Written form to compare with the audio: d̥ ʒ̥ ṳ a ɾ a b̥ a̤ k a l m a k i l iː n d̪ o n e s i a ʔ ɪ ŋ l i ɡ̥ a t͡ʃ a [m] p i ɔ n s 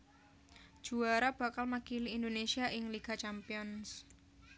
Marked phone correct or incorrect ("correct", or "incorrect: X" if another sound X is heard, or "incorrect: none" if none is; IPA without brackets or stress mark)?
correct